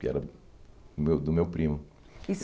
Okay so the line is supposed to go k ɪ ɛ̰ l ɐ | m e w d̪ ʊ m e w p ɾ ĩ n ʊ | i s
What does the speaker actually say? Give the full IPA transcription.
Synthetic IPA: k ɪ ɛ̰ ɾ ɐ | m e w d̪ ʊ m e w p ɾ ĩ m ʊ | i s